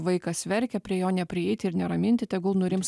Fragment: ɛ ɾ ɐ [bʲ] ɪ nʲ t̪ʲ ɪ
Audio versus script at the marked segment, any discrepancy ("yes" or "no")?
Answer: yes